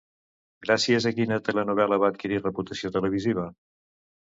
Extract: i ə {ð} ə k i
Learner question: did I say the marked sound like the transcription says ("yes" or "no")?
no